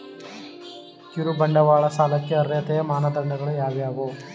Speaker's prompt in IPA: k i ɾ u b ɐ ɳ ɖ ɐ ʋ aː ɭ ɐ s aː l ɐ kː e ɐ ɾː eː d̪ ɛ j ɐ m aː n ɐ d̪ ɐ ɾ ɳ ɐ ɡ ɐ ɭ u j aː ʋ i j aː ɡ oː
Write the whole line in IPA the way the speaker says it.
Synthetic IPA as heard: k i ɾ u b ɐ ɳ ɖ ɐ ʋ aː ɭ ɐ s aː l ɐ kː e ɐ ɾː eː t̪ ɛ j ɐ m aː n ɐ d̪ ɐ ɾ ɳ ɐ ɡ ɐ ɭ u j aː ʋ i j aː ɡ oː